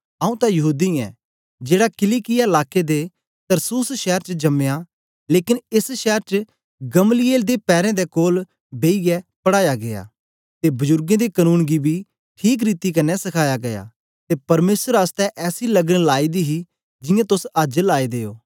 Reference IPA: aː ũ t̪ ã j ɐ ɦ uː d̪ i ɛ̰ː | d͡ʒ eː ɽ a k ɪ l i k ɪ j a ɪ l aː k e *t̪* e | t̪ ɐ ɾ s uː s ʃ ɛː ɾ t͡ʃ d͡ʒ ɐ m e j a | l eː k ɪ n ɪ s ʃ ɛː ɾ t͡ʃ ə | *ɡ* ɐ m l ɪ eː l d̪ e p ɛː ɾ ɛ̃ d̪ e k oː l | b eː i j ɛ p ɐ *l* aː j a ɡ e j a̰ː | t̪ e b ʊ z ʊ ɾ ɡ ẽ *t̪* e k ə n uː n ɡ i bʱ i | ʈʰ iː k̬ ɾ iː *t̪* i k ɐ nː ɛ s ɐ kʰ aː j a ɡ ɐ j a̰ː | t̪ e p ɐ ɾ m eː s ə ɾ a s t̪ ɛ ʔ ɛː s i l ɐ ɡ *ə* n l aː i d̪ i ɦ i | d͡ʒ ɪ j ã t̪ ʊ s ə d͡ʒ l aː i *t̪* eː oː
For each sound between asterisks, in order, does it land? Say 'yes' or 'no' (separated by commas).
no, yes, no, no, yes, yes, no